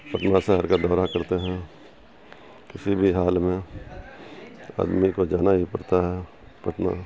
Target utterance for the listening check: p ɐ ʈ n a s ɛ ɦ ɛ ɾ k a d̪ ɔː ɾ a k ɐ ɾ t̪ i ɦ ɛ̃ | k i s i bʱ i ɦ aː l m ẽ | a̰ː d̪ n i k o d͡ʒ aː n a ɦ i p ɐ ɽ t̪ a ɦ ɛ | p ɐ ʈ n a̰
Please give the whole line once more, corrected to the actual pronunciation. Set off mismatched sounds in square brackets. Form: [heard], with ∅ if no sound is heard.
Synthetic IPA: p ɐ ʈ n a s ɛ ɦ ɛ ɾ k a d̪ ɔː ɾ a k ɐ ɾ t̪ [e] ɦ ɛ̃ | k [ɪ] s i bʱ i ɦ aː l m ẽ | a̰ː d̪ [m] i k o d͡ʒ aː n a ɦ i p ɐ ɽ t̪ a ɦ ɛ | p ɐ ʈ n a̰